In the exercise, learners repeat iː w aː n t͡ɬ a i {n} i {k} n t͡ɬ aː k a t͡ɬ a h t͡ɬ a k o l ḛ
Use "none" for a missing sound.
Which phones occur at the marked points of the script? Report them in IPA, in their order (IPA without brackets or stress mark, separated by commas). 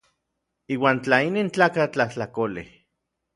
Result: n, none